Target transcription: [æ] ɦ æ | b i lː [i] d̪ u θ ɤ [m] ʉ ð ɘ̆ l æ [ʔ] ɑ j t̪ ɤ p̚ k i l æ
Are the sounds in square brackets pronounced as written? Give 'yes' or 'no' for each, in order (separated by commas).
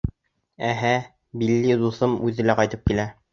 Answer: yes, yes, yes, no